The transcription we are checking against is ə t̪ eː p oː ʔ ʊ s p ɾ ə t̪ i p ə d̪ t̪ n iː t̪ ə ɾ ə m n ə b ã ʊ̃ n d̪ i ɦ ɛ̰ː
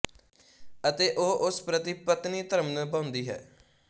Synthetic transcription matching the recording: ə t̪ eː ʔ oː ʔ ʊ s p ɾ ə t̪ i p ə t̪ n iː t̪ ə ɾ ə m n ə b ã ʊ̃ n d̪ iː ɦ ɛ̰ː

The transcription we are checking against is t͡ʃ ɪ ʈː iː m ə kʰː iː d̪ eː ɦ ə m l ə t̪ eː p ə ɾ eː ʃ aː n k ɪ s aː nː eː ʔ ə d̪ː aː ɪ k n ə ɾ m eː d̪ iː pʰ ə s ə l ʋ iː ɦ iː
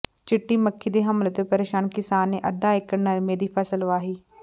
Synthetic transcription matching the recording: t͡ʃ ɪ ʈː iː m ə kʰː iː d̪ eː ɦ ə m l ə t̪ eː p ə ɾ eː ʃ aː n k ɪ s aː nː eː ʔ ə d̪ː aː ɪ k n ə ɾ m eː d̪ iː pʰ ə s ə l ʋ aː ɦ iː

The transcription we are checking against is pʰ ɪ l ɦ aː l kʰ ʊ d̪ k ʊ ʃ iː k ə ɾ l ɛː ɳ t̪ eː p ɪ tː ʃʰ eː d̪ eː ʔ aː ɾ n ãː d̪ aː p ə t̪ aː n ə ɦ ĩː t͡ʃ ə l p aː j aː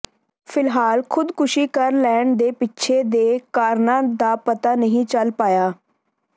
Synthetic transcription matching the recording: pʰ ɪ l ɦ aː l kʰ ʊ d̪ k ʊ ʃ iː k ə ɾ l ɛː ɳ d̪ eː p ɪ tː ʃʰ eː d̪ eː k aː ɾ n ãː d̪ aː p ə t̪ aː n ə ɦ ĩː t͡ʃ ə l p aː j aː

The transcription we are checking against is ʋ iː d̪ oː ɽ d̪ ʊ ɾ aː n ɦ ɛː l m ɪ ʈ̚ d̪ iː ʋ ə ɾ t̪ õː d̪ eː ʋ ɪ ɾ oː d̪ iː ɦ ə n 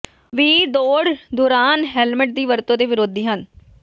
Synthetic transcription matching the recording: ʋ iː d̪ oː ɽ d̪ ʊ ɾ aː n ɦ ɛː l m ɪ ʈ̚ d̪ iː ʋ ə ɾ t̪ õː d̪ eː ʋ ɪ ɾ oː d̪ iː ɦ ə n

